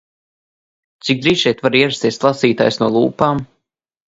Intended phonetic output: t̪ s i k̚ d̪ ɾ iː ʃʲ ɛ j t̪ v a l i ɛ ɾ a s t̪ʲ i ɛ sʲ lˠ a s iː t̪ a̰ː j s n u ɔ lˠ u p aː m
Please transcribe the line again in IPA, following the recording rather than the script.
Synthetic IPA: t̪ s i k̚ d̪ ɾ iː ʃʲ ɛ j t̪ v a ɾ i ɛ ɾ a s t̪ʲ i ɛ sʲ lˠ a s iː t̪ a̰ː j s n u ɔ lˠ uː p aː m

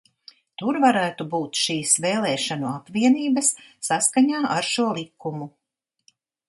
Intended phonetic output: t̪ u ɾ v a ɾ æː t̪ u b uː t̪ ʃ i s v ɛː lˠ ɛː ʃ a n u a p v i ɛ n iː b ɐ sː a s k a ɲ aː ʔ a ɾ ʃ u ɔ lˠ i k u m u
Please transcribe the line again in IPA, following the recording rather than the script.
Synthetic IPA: t̪ u ɾ v a ɾ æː t̪ u b uː t̪ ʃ iː s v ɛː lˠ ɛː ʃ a n u a p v i ɛ n iː b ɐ sː a s k a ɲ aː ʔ a ɾ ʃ u ɔ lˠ i k u m u

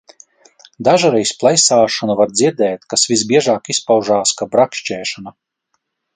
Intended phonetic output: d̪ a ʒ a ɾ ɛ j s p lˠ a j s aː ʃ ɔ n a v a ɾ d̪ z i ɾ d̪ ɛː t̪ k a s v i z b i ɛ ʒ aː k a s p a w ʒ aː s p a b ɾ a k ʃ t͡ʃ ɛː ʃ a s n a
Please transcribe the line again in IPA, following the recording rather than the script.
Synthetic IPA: d̪ a ʒ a ɾ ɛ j s p lˠ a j s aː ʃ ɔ n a v a ɾ d̪ z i ɾ d̪ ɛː t̪ k a s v i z b i ɛ ʒ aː k i s p a w ʒ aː s k a b ɾ a k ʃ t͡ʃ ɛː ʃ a n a

